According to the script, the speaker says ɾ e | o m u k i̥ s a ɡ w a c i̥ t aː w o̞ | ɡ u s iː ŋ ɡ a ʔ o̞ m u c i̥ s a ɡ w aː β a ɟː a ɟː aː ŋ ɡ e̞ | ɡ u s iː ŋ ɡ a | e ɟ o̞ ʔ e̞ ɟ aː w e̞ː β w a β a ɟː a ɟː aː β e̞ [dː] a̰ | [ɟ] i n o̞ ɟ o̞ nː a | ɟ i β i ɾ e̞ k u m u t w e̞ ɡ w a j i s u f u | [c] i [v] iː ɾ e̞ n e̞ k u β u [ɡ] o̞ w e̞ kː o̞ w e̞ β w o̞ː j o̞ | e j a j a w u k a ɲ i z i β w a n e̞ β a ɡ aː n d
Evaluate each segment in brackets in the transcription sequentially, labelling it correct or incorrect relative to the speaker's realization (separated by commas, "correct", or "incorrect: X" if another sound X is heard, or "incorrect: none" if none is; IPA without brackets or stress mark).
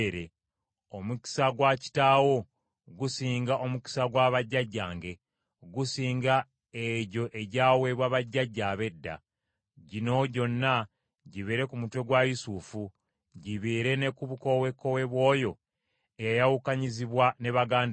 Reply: correct, correct, incorrect: ɟ, incorrect: β, incorrect: k